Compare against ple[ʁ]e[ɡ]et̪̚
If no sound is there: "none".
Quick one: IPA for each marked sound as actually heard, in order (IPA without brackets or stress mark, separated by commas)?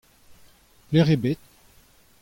ʁ, b